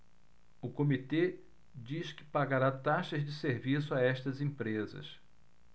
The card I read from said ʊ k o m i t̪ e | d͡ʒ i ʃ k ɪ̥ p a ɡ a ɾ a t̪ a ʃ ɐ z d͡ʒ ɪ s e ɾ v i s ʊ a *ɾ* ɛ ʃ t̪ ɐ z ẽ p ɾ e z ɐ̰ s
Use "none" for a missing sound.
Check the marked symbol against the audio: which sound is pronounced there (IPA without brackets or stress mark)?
none